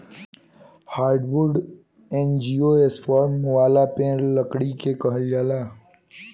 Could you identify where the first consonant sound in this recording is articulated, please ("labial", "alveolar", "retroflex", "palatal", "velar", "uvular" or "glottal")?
glottal